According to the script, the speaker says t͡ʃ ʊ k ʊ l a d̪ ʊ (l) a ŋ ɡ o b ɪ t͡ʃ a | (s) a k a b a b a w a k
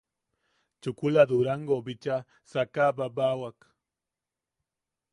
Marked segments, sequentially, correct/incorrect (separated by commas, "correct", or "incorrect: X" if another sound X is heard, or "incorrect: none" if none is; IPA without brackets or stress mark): incorrect: ɾ, correct